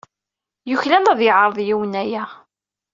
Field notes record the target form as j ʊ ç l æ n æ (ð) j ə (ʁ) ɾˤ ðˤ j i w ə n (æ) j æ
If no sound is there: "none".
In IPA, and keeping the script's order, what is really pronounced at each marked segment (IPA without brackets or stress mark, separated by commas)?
ð, ʕ, æ